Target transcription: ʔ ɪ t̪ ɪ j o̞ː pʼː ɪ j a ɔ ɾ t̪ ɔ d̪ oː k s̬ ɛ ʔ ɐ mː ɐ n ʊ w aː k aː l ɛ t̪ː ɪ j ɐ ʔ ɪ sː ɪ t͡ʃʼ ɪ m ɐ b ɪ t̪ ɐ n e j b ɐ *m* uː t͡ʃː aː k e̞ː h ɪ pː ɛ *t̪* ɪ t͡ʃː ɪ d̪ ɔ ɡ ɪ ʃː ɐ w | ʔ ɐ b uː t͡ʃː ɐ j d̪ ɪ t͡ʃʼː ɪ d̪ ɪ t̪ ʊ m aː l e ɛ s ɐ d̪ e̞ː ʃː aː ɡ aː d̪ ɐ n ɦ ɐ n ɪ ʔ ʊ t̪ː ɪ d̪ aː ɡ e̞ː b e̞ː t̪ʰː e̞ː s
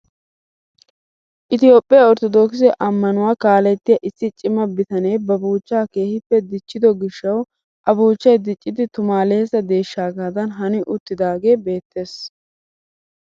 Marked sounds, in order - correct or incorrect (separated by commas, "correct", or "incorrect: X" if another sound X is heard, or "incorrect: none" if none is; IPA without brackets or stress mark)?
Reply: incorrect: b, incorrect: d̪